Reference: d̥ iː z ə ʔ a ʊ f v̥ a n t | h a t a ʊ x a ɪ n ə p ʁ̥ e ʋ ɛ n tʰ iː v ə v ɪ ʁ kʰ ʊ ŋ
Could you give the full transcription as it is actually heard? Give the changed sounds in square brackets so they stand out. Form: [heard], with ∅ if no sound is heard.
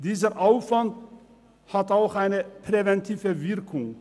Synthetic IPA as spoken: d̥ iː z ə ʔ a ʊ f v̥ a n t | h a t a ʊ x a ɪ n ə p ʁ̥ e [v] ɛ n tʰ iː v ə v ɪ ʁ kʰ ʊ ŋ